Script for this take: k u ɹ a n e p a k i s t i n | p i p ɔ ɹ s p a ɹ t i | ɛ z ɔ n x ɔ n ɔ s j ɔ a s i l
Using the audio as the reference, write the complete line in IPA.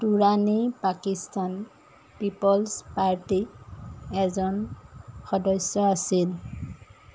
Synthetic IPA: t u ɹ a n i p a k i s t a n | p i p ɔ l s p a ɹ t i | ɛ z ɔ n x ɔ d ɔ s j ɔ a s i l

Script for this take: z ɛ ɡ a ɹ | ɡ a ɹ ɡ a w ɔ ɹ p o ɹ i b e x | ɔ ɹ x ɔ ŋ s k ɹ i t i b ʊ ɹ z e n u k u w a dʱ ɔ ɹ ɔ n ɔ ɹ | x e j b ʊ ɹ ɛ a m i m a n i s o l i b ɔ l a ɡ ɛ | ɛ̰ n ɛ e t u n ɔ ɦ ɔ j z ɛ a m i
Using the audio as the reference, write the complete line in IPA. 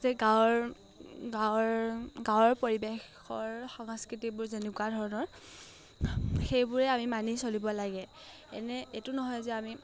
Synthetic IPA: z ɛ ɡ a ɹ | ɡ a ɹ ɡ a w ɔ ɹ p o ɹ i b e x | ɔ ɹ x ɔ ŋ s k ɹ i t i b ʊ ɹ z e n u k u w a dʱ ɔ ɹ ɔ n ɔ ɹ | x e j b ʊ ɹ ɛ a m i m a n i s o l i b ɔ l a ɡ ɛ | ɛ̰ n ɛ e t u n ɔ ɦ ɔ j z ɛ a m i

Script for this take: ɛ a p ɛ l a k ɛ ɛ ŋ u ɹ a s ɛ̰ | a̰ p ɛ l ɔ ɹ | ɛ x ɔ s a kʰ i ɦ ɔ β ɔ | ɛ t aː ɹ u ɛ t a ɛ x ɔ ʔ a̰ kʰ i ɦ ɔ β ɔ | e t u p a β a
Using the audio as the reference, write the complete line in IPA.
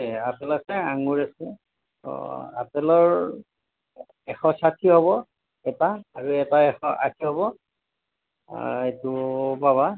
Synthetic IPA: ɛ a p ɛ l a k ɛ a ŋ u ɹ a s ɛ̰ | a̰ p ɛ l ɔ ɹ | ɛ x ɔ s a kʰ i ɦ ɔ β ɔ | ɛ t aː ɹ u ɛ t a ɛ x ɔ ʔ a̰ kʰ i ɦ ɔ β ɔ | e t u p a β a

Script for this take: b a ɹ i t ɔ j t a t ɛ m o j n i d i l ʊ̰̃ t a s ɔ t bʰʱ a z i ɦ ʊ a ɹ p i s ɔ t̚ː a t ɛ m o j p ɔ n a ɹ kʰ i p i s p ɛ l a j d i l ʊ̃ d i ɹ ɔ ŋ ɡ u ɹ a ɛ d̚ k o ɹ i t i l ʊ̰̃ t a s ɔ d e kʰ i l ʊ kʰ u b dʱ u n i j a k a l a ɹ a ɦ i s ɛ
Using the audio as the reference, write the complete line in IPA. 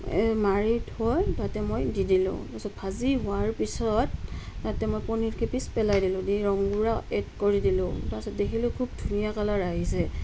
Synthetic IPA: m a ɹ i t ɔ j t a t ɛ m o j d i d i l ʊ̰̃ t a s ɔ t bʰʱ a z i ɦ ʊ a ɹ p i s ɔ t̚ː a t ɛ m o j p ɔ n i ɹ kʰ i p i s p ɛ l a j d i l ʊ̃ d i ɹ ɔ ŋ ɡ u ɹ a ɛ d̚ k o ɹ i d i l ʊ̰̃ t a s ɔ d e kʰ i l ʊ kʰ u b dʱ u n i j a k a l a ɹ a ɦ i s ɛ

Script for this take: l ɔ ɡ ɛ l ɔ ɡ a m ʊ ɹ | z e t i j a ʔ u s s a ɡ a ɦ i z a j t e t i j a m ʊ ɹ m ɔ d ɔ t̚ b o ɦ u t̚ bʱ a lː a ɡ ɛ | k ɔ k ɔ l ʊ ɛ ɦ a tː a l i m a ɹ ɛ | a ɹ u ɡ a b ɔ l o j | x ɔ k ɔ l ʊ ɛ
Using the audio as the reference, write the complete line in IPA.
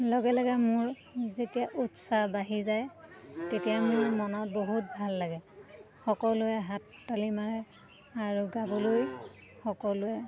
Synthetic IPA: l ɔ ɡ ɛ l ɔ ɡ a m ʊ ɹ | z e t i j a ʔ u t s a b a ɦ i z a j t e t i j a m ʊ ɹ m ɔ n ɔ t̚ b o ɦ u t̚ bʱ a lː a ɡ ɛ | x ɔ k ɔ l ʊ ɛ ɦ a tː a l i m a ɹ ɛ | a ɹ u ɡ a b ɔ l o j | x ɔ k ɔ l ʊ ɛ

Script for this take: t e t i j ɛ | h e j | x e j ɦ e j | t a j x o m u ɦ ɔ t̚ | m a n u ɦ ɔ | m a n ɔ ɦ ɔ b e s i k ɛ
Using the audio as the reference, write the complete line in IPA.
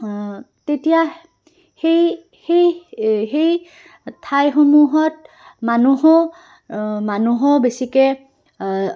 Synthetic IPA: t e t i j a | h e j | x e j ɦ e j | tʰ a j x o m u ɦ ɔ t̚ | m a n u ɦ ɔ | m a n u ɦ ɔ b e s i k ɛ

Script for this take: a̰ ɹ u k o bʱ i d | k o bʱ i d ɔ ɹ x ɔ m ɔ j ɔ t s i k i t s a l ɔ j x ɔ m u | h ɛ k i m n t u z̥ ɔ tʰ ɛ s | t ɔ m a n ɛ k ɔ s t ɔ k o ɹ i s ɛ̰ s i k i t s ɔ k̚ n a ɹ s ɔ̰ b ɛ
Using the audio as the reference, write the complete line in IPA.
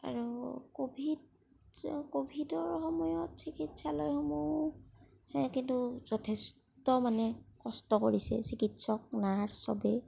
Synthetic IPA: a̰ ɹ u k o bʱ i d | k o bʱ i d ɔ ɹ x ɔ m ɔ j ɔ t s i k i t s a l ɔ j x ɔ m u | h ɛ k i n t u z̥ ɔ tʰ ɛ s | t ɔ m a n ɛ k ɔ s t ɔ k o ɹ i s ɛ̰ s i k i t s ɔ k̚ n a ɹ s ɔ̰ b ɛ

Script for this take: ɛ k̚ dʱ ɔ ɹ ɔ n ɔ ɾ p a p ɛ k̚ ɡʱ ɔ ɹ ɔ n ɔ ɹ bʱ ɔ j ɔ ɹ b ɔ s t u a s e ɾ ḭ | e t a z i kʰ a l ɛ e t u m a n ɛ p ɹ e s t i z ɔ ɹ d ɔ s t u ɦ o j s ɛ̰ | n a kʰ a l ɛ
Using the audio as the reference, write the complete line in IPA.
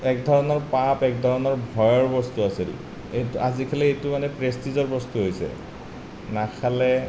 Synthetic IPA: ɛ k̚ dʱ ɔ ɹ ɔ n ɔ ɹ p a p ɛ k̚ dʱ ɔ ɹ ɔ n ɔ ɹ bʱ ɔ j ɔ ɹ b ɔ s t u a s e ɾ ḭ | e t a z i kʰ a l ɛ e t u m a n ɛ p ɹ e s t i z ɔ ɹ b ɔ s t u ɦ o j s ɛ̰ | n a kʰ a l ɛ

